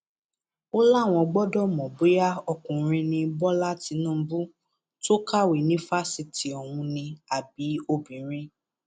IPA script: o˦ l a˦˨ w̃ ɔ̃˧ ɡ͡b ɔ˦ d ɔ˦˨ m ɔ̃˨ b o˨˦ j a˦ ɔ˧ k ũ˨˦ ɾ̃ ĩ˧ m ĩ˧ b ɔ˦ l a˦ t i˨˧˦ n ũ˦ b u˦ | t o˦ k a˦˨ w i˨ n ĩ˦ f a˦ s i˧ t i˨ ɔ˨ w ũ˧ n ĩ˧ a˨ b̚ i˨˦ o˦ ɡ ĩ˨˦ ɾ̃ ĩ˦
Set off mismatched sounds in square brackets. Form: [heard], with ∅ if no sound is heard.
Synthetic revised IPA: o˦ l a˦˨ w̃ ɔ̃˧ ɡ͡b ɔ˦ d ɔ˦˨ m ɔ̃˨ b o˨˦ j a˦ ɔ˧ k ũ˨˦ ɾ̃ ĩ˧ [n] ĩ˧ b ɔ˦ l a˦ t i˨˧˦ n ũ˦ b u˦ | t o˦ k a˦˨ w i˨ n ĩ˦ f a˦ s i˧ t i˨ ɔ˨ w ũ˧ n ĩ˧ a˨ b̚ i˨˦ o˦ [b] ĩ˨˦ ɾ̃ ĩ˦